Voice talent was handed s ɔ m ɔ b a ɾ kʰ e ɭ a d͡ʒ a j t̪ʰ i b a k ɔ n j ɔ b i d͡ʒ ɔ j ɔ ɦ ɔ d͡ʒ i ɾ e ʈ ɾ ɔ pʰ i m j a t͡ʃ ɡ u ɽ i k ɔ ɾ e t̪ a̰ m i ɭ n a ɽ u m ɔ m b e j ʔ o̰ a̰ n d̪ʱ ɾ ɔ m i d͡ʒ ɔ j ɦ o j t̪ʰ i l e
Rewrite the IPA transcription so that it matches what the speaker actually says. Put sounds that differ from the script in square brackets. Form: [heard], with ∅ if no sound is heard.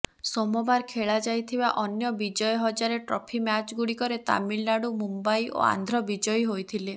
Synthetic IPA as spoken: s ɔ m ɔ b a ɾ kʰ e ɭ a d͡ʒ a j t̪ʰ i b a [ʔ] ɔ n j ɔ b i d͡ʒ ɔ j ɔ ɦ ɔ d͡ʒ [a] ɾ e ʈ ɾ ɔ pʰ i m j a t͡ʃ ɡ u ɽ i k ɔ ɾ e t̪ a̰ m i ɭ n a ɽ u m [u] m b [a] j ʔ o̰ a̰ n d̪ʱ ɾ ɔ [b] i d͡ʒ ɔ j ɦ o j t̪ʰ i l e